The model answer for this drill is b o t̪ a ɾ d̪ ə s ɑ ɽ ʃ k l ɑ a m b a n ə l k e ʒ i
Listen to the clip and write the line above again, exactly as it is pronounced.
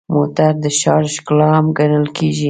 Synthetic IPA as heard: m o t̪ a ɾ d̪ ə ʃ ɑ ɾ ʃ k l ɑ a m ɡ a n ə l k e ʒ i